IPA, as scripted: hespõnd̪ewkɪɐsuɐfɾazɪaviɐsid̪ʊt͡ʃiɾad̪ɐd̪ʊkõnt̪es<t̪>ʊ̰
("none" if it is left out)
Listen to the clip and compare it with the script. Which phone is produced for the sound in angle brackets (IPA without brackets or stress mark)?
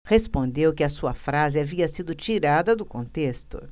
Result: t̪